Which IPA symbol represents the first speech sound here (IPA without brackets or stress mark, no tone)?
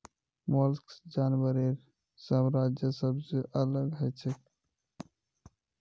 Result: m